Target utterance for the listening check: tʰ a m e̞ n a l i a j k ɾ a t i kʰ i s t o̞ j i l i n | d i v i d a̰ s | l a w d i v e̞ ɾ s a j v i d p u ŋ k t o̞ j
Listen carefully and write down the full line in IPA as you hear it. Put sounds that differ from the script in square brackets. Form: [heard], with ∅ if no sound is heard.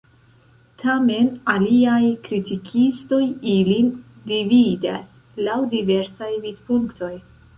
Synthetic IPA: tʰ a m e̞ n a l i a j k ɾ [i] t i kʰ i s t o̞ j i l i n | d i v i d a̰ s | l a w d i v e̞ ɾ s a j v i d p u ŋ k t o̞ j